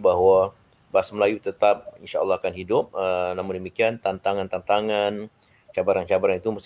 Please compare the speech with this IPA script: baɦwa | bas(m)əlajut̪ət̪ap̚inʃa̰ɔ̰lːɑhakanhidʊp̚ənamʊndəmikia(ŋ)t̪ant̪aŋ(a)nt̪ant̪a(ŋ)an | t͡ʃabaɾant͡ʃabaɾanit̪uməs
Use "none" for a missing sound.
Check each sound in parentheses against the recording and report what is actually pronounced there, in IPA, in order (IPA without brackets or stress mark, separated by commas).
m, n, a, ŋ